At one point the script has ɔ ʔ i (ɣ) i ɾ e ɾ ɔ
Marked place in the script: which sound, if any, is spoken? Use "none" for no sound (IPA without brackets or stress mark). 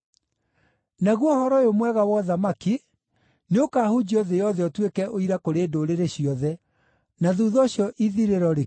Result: ð